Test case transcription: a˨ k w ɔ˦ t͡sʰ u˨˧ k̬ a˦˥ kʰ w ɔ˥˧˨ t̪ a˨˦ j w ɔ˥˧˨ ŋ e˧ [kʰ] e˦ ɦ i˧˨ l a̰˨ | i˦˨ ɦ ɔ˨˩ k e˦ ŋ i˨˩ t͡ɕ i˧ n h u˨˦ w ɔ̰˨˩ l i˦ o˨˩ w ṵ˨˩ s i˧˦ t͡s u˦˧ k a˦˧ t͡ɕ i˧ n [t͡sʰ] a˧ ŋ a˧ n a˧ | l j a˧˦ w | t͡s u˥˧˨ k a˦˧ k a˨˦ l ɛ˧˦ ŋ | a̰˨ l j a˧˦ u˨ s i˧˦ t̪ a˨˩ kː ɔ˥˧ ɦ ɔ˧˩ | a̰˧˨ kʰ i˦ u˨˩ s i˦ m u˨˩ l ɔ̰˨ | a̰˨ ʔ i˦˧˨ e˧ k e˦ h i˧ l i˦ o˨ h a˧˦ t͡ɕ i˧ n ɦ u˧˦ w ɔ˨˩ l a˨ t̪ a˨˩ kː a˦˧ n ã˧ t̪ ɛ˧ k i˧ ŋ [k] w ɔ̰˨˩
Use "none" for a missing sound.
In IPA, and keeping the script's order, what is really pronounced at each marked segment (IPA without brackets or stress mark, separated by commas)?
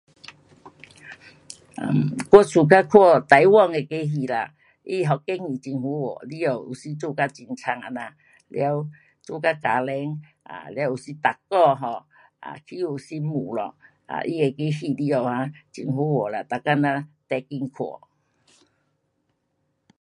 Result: k, t͡sʰ, kʰ